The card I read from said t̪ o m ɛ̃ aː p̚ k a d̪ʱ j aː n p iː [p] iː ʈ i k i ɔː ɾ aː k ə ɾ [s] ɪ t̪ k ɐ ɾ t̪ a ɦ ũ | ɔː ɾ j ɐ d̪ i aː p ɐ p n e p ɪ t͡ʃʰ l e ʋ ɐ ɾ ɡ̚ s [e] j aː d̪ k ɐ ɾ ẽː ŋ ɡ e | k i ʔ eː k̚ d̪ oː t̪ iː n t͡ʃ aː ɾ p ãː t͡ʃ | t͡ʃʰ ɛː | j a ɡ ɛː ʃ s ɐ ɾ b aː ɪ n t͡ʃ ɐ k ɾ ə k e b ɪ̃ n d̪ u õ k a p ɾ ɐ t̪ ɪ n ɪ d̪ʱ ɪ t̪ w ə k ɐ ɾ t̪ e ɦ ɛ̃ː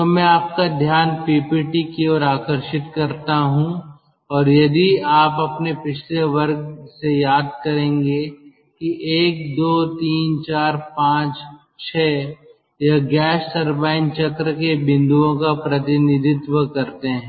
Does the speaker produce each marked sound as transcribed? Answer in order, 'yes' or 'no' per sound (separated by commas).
yes, no, yes